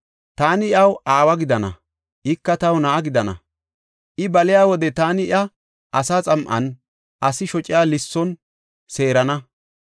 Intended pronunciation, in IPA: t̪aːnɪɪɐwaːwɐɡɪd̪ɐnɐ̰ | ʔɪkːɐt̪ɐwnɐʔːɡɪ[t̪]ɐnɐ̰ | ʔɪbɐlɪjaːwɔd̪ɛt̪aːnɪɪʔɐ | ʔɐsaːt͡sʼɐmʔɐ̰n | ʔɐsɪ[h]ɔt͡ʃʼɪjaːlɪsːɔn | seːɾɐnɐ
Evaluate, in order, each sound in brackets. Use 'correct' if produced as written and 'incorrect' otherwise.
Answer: incorrect, incorrect

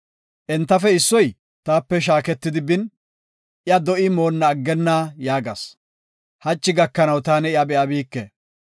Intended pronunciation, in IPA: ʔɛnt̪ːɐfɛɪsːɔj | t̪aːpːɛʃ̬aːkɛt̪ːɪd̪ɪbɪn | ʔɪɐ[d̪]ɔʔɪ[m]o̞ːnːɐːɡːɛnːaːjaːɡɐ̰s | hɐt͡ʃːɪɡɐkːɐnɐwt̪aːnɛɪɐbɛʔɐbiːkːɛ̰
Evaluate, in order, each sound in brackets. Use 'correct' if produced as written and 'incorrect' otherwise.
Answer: correct, correct

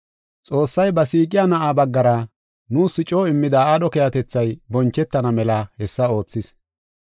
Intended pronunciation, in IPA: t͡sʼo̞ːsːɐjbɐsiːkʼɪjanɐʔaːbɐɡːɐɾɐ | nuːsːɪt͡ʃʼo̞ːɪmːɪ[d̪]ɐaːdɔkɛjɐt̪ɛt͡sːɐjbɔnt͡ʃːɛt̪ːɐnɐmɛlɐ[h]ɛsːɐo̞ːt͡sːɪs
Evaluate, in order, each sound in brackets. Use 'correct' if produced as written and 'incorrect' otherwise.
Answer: correct, correct

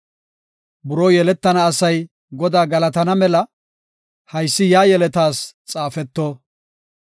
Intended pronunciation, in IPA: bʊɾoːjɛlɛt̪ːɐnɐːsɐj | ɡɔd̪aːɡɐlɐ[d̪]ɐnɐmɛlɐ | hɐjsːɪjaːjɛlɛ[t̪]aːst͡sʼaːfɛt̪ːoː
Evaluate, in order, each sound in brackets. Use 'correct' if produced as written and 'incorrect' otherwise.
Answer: incorrect, correct

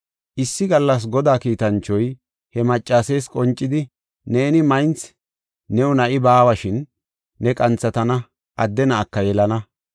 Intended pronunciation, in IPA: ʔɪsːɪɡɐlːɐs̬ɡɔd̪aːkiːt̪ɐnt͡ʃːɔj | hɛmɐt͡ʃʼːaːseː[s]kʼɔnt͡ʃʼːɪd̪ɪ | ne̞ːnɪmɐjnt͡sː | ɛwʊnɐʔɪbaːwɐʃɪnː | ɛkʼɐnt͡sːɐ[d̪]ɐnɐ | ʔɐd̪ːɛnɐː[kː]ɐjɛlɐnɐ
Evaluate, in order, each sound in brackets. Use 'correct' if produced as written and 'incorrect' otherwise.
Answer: correct, incorrect, correct

